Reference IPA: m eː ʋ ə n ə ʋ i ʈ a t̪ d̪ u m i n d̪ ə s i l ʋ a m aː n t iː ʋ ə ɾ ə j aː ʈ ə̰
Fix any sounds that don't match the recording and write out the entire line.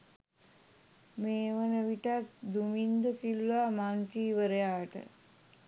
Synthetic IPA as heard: m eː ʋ ə n ə ʋ i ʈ a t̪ d̪ u m i n d̪ ə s i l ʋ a m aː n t iː ʋ ə ɾ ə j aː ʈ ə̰